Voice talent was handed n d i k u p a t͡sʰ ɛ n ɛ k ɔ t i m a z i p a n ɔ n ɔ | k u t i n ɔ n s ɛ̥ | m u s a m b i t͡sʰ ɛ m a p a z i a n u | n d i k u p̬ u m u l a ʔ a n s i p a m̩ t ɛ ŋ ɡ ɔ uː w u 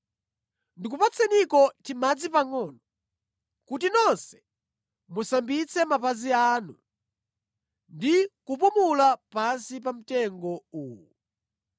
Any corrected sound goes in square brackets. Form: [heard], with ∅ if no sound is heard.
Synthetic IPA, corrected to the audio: n d i k u p a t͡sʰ ɛ n [i] k ɔ t i m a [d͡z] i p a [ŋ] ɔ n ɔ | k u t i n ɔ n s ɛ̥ | m u s a m b i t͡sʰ ɛ m a p a z i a n u | n d i k u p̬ u m u l a [p] a n s i p a m̩ t ɛ ŋ ɡ ɔ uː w u